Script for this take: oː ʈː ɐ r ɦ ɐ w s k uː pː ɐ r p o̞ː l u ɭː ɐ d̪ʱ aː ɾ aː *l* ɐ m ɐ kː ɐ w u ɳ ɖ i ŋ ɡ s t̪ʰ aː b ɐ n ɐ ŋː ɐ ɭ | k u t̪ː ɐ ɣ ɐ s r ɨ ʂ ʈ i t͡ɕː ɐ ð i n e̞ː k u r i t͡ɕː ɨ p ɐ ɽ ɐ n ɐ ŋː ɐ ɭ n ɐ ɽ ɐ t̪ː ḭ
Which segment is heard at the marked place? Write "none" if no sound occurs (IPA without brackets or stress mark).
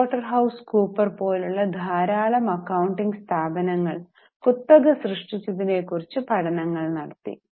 l